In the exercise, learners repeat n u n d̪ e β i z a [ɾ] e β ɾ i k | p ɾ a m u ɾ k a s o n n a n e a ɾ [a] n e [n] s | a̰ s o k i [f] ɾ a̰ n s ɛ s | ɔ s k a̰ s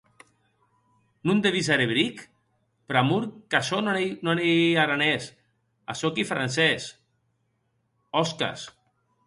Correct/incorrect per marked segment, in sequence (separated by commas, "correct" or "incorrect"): correct, correct, incorrect, correct